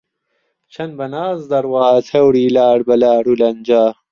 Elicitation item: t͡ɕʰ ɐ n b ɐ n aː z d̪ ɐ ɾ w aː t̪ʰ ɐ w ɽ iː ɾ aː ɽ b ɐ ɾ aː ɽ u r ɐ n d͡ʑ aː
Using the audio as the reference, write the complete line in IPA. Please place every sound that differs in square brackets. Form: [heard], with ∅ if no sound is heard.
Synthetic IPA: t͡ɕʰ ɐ n b ɐ n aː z d̪ ɐ ɾ w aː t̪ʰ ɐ w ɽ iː [l] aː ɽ b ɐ [l] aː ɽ u [l] ɐ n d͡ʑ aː